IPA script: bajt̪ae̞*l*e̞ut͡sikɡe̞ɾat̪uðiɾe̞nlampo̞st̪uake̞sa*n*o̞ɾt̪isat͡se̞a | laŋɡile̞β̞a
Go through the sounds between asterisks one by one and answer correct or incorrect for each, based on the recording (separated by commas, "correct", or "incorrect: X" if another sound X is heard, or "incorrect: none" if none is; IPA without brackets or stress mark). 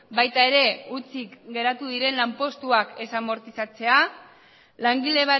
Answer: incorrect: ɾ, incorrect: m